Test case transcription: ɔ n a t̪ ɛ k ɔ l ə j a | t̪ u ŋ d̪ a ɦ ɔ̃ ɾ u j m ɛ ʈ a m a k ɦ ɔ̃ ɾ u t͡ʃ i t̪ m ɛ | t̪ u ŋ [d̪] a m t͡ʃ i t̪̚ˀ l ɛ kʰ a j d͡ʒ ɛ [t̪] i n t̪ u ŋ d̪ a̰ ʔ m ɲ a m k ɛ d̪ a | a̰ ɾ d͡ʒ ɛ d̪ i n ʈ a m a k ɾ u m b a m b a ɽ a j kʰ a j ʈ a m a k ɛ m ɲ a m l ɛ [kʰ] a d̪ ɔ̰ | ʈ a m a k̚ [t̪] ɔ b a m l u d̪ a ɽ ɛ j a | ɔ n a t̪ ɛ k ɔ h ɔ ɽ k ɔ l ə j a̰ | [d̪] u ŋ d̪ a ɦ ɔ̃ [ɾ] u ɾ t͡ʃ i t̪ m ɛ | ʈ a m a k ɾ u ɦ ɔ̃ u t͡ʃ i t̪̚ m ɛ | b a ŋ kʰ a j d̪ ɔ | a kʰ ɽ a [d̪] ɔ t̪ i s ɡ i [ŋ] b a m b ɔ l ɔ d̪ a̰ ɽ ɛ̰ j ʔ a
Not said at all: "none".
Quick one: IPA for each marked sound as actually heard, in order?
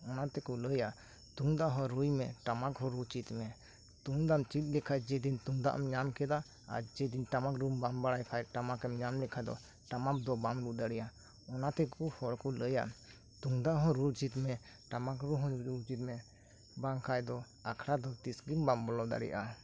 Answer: d̪, d̪, kʰ, d̪, t̪, ɾ, d̪, m

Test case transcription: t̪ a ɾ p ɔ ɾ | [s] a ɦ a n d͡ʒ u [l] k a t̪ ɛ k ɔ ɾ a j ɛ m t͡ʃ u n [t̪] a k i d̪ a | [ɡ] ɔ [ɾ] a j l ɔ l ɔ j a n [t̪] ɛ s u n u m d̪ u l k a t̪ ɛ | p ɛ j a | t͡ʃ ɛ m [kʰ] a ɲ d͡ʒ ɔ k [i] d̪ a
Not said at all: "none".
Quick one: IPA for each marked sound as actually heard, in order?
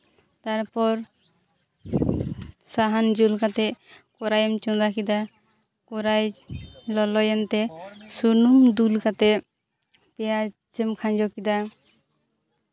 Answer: s, l, d̪, k, ɾ, t̪, kʰ, i

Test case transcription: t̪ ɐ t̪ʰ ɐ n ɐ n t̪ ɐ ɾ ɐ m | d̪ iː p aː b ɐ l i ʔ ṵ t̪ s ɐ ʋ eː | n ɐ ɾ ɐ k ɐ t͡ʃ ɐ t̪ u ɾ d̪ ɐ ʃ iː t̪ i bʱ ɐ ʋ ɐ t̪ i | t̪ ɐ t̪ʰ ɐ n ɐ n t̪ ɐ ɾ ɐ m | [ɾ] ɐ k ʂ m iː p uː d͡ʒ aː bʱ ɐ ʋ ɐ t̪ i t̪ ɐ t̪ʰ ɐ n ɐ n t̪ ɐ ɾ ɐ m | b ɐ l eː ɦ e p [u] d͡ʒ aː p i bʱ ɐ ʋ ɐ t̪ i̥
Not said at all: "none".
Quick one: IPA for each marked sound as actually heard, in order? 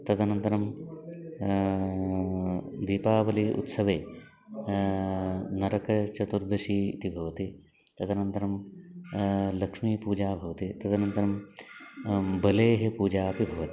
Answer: l, uː

